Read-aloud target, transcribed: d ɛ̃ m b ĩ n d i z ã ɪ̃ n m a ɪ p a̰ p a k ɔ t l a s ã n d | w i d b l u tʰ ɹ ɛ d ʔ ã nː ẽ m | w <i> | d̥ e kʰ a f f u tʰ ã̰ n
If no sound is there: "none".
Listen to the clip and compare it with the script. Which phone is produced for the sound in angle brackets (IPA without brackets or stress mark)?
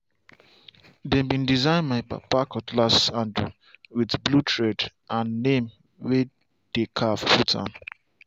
e